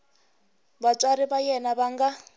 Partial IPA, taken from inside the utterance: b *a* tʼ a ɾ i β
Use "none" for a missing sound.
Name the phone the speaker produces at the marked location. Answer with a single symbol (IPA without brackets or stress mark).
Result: a